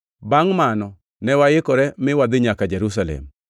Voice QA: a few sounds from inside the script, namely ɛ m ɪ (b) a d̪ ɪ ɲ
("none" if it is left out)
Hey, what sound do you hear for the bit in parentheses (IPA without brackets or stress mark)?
w